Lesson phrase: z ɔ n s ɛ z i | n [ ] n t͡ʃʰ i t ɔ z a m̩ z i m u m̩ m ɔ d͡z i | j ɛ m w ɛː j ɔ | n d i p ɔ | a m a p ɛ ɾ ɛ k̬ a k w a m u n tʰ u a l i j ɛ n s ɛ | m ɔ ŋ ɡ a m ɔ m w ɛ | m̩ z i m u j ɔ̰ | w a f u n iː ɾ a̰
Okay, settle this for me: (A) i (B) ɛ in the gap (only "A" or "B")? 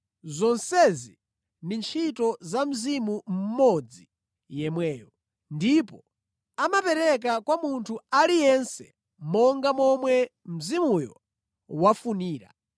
A